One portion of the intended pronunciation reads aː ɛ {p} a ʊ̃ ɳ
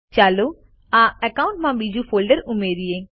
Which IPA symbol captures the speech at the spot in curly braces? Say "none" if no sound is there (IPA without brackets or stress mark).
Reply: k